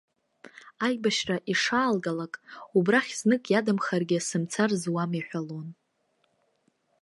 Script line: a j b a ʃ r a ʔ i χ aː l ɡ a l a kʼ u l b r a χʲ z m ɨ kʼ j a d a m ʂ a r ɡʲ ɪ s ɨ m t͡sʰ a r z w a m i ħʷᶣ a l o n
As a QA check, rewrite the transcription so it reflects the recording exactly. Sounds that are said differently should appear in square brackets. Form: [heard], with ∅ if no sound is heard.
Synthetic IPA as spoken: a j b a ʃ r a ʔ i [ʂ] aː l ɡ a l a kʼ u [∅] b r a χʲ z [n] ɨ kʼ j a d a m [χ] a r ɡʲ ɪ s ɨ m t͡sʰ a r z w a m i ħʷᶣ a l o n